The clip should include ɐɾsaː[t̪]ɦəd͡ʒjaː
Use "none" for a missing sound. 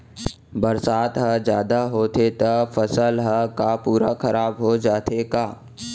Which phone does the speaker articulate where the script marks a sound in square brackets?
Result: t̪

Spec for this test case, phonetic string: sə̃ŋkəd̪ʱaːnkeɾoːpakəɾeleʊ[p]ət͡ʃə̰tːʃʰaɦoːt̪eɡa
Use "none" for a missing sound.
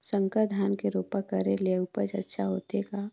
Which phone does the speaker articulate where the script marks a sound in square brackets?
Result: p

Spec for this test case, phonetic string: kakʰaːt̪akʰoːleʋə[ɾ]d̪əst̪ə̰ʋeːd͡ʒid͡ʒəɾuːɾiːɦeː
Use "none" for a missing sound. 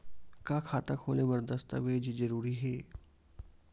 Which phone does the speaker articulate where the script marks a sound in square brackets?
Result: ɾ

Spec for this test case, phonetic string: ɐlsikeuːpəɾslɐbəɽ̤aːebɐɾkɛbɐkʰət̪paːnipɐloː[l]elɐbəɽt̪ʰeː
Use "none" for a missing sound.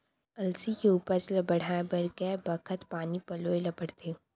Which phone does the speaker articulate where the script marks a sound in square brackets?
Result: none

